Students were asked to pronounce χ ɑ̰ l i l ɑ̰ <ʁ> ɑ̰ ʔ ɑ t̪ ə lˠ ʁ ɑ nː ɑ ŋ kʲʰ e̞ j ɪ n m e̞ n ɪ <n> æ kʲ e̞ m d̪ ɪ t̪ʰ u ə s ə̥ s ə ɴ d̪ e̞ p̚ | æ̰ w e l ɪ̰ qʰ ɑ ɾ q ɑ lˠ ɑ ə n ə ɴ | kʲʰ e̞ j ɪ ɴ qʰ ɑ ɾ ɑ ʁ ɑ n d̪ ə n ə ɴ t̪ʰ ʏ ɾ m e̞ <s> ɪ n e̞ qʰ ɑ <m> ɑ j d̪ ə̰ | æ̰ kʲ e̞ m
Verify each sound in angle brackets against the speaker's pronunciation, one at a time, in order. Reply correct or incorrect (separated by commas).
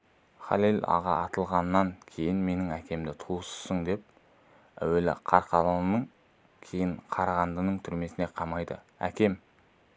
correct, incorrect, correct, correct